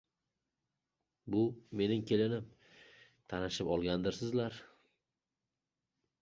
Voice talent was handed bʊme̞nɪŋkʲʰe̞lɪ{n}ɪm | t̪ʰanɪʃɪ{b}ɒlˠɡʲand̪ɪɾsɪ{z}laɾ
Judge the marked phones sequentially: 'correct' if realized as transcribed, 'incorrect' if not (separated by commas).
correct, incorrect, correct